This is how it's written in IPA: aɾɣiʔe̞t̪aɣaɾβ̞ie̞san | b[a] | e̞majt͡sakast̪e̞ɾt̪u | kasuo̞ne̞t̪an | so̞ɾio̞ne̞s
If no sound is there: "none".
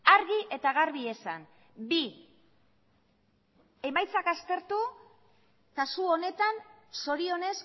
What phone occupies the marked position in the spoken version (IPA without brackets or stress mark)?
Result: i